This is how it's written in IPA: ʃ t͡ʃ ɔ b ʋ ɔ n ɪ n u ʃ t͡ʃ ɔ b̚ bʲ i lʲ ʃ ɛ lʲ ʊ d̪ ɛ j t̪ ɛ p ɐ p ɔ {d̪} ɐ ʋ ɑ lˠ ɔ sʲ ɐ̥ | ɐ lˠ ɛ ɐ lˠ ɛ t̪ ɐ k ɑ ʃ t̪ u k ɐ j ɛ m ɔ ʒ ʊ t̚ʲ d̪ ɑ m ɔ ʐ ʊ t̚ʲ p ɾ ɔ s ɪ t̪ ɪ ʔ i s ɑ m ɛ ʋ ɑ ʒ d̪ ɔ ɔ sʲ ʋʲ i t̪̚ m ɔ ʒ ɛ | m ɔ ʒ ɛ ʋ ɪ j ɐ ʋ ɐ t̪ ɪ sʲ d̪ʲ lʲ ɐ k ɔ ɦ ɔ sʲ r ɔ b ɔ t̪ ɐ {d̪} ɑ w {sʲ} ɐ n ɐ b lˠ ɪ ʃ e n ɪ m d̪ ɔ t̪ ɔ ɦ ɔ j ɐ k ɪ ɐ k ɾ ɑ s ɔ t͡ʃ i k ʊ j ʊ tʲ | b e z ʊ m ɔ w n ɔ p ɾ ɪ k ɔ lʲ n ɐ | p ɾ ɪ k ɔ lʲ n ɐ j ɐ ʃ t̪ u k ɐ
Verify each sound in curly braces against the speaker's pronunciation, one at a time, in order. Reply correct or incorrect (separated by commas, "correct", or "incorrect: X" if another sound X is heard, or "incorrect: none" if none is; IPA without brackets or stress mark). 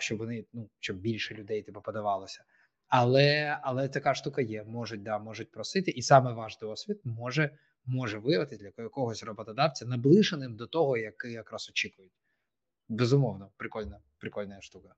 correct, correct, incorrect: t͡sʲ